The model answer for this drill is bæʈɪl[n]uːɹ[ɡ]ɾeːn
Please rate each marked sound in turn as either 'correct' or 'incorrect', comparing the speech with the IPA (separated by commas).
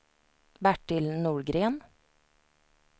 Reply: correct, correct